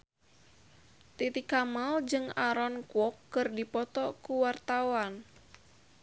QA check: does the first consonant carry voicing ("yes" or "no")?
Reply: no